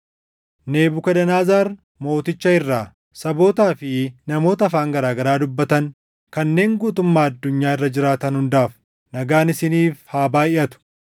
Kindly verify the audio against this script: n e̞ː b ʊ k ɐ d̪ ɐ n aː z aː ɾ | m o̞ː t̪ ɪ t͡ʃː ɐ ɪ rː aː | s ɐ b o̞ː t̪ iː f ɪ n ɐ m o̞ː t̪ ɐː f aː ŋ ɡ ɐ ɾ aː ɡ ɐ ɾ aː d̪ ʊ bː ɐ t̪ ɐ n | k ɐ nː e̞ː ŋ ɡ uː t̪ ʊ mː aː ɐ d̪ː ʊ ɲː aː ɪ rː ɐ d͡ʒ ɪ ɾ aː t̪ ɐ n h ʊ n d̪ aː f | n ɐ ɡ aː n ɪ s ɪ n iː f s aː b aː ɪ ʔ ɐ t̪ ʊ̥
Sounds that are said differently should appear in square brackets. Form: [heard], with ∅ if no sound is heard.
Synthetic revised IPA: n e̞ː b ʊ k ɐ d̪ ɐ n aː z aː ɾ | m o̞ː t̪ ɪ t͡ʃː ɐ ɪ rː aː | s ɐ b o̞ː t̪ [aː] f ɪ n ɐ m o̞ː t̪ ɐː f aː ŋ ɡ ɐ ɾ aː ɡ ɐ ɾ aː d̪ ʊ bː ɐ t̪ ɐ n | k ɐ nː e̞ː ŋ ɡ uː t̪ ʊ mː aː ɐ d̪ː ʊ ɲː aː ɪ rː ɐ d͡ʒ ɪ ɾ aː t̪ ɐ n h ʊ n d̪ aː f | n ɐ ɡ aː n ɪ s ɪ n iː f [h] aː b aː ɪ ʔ ɐ t̪ ʊ̥